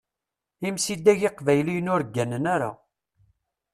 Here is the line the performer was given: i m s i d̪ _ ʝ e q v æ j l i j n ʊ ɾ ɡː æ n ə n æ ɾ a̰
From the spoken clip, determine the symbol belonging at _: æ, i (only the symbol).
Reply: æ